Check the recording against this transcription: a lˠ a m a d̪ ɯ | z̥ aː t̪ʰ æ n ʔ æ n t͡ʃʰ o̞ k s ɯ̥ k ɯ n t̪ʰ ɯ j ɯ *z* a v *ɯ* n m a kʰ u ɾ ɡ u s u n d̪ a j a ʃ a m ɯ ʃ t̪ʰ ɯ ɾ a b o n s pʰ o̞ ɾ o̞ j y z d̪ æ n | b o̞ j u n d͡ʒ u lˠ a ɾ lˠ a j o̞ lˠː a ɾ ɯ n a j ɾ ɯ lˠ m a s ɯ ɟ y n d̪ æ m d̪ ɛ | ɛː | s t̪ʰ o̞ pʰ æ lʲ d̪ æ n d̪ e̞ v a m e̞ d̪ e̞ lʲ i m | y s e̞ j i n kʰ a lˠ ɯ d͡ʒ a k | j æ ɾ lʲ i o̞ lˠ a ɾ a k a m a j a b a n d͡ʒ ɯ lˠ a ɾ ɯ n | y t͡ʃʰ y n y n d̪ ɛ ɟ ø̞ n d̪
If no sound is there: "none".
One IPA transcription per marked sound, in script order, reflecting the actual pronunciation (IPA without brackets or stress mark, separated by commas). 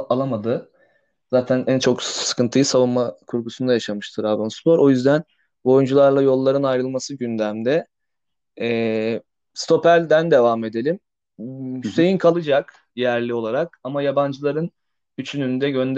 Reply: s, u